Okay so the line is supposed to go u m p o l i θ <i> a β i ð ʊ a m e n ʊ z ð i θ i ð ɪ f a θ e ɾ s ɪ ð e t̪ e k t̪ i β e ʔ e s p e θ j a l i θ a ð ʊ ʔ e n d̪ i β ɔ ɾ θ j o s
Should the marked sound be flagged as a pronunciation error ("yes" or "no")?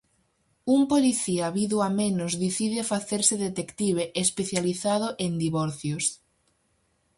no